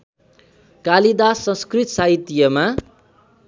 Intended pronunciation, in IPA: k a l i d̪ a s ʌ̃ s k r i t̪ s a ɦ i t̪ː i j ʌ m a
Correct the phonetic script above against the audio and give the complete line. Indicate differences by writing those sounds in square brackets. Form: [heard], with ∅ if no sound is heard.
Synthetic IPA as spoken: k a l i d̪ a s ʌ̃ s k r i t̪ s a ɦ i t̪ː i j ʌ m a